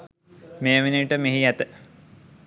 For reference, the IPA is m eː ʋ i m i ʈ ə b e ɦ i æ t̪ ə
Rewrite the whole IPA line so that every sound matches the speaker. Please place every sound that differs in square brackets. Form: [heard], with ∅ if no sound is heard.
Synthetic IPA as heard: m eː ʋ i [n] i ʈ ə [m] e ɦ i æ t̪ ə